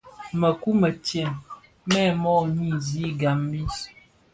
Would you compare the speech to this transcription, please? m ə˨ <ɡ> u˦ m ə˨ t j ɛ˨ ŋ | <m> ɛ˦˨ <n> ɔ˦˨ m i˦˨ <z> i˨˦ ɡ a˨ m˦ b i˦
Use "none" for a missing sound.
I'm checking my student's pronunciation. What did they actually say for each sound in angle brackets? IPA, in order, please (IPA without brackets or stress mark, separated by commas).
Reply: k, m, m, z